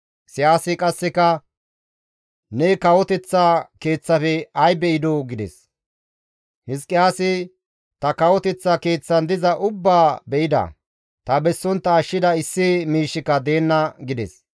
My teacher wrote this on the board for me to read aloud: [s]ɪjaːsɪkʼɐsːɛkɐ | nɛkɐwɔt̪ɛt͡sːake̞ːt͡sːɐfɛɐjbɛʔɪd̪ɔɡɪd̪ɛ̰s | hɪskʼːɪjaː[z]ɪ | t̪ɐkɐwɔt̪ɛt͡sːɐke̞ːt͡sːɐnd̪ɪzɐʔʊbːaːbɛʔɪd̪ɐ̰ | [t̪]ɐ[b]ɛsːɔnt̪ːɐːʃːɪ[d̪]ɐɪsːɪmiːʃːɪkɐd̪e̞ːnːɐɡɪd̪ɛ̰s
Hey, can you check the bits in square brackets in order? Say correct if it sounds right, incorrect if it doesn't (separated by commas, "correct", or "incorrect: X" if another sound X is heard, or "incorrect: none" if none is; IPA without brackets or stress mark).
correct, incorrect: s, correct, correct, correct